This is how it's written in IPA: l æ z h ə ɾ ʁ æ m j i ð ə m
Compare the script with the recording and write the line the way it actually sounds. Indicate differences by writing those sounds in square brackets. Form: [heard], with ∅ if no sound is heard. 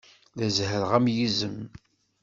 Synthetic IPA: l æ z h ə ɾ ʁ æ m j i [z] ə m